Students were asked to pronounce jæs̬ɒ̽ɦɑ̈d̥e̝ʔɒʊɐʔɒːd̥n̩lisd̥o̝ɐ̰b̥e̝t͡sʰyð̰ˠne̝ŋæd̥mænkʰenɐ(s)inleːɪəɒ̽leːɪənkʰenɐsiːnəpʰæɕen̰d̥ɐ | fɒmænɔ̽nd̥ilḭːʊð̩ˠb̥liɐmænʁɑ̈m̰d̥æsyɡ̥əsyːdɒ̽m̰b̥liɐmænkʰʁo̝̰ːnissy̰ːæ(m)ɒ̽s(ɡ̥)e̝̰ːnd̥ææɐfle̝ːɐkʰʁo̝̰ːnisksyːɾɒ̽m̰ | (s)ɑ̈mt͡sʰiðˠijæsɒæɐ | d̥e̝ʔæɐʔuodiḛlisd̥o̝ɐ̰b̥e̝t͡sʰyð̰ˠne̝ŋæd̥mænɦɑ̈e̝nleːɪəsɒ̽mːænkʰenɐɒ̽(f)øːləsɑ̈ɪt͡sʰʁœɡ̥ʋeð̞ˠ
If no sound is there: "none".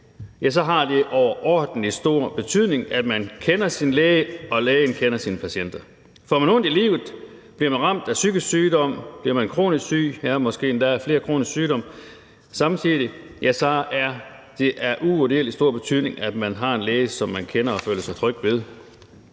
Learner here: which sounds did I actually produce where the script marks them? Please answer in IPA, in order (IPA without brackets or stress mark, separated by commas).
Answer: s, m, ɡ̥, s, f